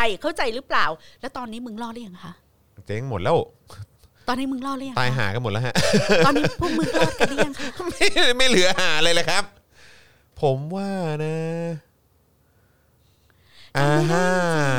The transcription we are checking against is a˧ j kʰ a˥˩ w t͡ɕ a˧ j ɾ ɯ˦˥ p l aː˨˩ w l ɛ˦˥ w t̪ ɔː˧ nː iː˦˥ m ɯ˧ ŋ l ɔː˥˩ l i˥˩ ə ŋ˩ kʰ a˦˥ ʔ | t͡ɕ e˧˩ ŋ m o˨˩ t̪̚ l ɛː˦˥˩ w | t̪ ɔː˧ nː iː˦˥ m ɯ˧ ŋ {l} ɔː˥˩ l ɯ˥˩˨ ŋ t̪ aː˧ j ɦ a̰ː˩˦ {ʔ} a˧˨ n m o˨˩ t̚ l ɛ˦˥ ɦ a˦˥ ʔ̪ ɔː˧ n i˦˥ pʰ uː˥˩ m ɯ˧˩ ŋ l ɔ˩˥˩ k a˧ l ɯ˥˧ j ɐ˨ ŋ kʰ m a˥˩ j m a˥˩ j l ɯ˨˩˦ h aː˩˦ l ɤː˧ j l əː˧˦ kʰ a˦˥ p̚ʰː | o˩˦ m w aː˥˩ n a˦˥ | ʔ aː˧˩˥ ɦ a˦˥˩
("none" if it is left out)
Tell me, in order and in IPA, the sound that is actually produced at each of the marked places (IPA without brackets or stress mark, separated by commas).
l, k